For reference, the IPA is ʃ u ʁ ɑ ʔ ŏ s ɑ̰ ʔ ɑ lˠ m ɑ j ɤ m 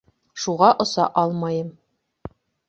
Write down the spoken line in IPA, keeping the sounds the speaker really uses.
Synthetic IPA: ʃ u ʁ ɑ ʔ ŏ s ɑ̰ ʔ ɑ lˠ m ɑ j ɤ m

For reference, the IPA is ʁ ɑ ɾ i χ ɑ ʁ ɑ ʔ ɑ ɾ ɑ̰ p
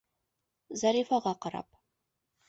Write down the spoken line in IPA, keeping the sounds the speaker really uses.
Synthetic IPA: z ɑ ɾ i f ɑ ʁ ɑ q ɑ ɾ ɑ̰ p

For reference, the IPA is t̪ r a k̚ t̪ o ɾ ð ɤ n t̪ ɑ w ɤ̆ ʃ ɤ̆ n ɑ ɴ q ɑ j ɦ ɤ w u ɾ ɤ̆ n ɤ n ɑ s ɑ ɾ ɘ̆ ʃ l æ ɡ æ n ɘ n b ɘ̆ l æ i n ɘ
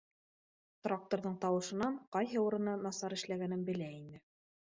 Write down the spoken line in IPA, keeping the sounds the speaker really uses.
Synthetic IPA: t̪ r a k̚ t̪ o ɾ ð ɤ ɴ t̪ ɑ w ɤ̆ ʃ ɤ̆ n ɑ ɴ q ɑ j ɦ ɤ u ɾ ɤ̆ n ɤ n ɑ s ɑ ɾ ɘ̆ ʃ l æ ɡ æ n ɘ n b ɘ̆ l æ i n ɘ

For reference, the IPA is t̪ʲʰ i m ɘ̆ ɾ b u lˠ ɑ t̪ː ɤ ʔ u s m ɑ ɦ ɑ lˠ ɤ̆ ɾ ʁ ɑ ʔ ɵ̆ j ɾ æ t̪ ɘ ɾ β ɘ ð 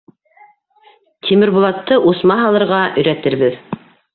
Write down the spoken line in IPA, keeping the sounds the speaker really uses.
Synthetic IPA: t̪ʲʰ i m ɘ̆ ɾ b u lˠ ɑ t̪ː ɤ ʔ u s m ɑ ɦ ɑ lˠ ɤ̆ ɾ ʁ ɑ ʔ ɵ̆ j ɾ æ t̪ ɘ ɾ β ɘ ð

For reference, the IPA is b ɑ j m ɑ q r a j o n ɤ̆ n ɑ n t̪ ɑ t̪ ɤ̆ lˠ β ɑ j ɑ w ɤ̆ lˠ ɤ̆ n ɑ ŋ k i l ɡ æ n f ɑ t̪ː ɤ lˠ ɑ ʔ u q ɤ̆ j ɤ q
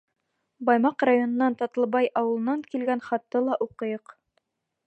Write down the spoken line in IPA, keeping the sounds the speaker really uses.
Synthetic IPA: b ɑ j m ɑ q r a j o n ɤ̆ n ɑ n t̪ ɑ t̪ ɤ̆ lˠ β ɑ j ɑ w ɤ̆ lˠ ɤ̆ n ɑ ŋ k i l ɡ æ n χ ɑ t̪ː ɤ lˠ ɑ ʔ u q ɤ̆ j ɤ q

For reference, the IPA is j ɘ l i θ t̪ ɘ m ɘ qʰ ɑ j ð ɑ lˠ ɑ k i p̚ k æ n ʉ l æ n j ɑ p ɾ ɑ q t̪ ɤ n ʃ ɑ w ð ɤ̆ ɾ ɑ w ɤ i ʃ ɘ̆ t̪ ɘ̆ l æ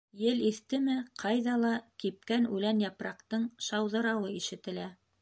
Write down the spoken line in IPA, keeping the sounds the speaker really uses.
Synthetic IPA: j ɘ l i θ t̪ ɘ m ɘ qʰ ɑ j ð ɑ lˠ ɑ k i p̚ k æ n ʉ l æ n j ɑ p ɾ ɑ q t̪ ɤ ɴ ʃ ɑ w ð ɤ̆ ɾ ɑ w ɤ i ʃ ɘ̆ t̪ ɘ̆ l æ

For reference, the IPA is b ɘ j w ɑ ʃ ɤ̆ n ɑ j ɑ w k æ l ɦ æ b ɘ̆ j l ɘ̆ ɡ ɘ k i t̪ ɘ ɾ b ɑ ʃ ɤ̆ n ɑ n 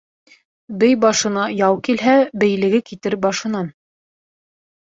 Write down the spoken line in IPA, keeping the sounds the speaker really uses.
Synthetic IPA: b ɘ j b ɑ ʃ ɤ̆ n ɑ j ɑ w k i l ɦ æ b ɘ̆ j l ɘ̆ ɡ ɘ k i t̪ ɘ ɾ b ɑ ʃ ɤ̆ n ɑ n

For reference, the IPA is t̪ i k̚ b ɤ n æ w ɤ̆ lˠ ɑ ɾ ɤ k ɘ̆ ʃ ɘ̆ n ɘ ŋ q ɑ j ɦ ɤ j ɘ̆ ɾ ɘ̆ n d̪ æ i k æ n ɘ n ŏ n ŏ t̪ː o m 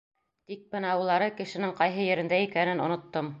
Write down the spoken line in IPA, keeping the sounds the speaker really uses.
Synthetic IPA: t̪ i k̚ b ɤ n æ w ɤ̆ lˠ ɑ ɾ ɤ k ɘ̆ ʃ ɘ̆ n ɘ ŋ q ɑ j ɦ ɤ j ɘ̆ ɾ ɘ̆ n d̪ æ i k æ n ɘ n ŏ n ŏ t̪ː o m

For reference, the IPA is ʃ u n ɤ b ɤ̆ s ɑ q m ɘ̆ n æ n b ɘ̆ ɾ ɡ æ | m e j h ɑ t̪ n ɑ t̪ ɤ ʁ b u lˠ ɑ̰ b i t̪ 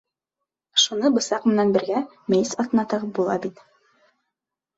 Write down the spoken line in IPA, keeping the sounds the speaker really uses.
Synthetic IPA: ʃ u n ɤ b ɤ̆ s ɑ q m ɘ̆ n æ n b ɘ̆ ɾ ɡ æ | m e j s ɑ t̪ n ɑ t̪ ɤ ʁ b u lˠ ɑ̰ b i t̪

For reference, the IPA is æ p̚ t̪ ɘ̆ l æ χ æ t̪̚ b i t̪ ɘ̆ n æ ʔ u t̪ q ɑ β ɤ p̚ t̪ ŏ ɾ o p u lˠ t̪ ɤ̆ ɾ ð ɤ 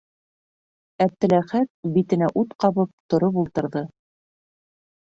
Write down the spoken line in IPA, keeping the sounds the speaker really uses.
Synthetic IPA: æ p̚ t̪ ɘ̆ l æ χ æ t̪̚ b i t̪ ɘ̆ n æ ʔ u t̪ q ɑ β ɤ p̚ t̪ ŏ ɾ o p u lˠ t̪ ɤ̆ ɾ ð ɤ

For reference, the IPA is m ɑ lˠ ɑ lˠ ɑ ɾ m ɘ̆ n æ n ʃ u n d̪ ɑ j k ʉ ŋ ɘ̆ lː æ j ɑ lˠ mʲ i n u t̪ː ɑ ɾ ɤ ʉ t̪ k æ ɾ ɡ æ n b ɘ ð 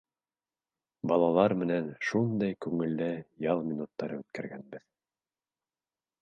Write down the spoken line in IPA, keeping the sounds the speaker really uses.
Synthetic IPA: b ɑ lˠ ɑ lˠ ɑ ɾ m ɘ̆ n æ n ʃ u n d̪ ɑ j k ʉ ŋ ɘ̆ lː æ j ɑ lˠ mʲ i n u t̪ː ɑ ɾ ɤ ʉ t̪ k æ ɾ ɡ æ n b ɘ ð

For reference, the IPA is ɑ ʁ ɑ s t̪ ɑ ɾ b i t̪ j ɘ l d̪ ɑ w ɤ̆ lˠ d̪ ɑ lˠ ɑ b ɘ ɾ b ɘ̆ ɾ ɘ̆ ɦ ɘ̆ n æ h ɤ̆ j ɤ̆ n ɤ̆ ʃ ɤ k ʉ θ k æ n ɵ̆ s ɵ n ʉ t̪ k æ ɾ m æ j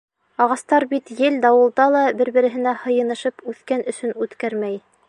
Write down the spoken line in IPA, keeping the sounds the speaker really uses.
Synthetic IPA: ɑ ʁ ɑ s t̪ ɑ ɾ b i t̪ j ɘ l d̪ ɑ w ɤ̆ lˠ d̪ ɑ lˠ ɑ b ɘ ɾ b ɘ̆ ɾ ɘ̆ ɦ ɘ̆ n æ h ɤ̆ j ɤ̆ n ɤ̆ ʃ ɤ p ʉ θ k æ n ɵ̆ s ɵ n ʉ t̪ k æ ɾ m æ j

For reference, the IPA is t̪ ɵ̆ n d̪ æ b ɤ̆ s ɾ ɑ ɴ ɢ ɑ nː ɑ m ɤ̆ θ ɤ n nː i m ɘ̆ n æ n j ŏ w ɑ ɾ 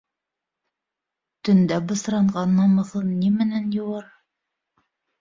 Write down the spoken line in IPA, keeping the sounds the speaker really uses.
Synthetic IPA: t̪ ɵ̆ n d̪ æ b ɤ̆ s ɾ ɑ ɴ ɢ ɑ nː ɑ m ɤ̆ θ ɤ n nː i m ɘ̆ n æ n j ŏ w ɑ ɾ

